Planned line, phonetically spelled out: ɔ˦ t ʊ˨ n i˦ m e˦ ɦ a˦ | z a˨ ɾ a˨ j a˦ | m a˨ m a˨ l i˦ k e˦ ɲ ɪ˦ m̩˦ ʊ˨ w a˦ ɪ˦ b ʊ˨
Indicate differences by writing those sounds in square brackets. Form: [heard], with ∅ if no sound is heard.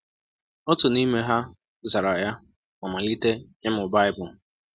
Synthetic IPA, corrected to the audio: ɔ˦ t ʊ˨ n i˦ m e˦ ɦ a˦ | z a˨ ɾ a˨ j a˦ | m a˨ m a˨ l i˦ [t] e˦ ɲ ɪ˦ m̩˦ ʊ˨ [b] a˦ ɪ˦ b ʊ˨